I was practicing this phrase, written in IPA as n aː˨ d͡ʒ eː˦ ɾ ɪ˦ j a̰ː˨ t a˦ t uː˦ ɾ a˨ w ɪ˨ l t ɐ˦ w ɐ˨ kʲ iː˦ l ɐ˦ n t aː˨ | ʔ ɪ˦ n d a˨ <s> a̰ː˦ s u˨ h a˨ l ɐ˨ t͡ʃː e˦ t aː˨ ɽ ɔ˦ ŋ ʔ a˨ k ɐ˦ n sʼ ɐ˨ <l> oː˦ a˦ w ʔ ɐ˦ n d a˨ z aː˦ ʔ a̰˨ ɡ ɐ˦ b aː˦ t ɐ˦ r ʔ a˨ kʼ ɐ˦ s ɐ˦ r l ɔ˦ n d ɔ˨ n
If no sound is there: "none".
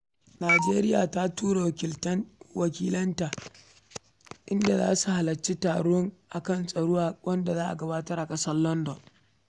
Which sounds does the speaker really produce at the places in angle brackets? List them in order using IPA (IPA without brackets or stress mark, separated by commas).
z, ɽ